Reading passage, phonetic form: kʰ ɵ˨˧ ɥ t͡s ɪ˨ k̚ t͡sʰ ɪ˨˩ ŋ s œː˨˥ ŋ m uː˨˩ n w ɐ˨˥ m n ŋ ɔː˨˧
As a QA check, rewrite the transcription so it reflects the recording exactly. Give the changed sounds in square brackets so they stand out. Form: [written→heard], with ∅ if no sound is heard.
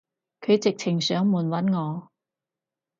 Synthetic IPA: kʰ ɵ˨˧ ɥ t͡s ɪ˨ k̚ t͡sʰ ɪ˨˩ ŋ s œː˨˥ ŋ m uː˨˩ n w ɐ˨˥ [m→∅] n ŋ ɔː˨˧